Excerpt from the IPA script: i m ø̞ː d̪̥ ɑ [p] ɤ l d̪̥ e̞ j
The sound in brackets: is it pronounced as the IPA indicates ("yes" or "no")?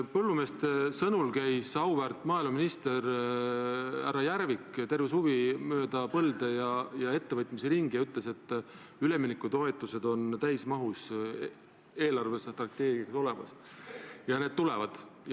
yes